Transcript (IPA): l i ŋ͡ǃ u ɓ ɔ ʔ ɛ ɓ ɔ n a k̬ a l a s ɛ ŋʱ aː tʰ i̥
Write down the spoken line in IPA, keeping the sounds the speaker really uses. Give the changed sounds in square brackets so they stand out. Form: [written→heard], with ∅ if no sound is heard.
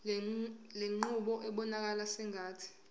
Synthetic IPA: l [i→e] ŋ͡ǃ u ɓ ɔ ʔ ɛ ɓ ɔ n a k̬ a l a s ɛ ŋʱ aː tʰ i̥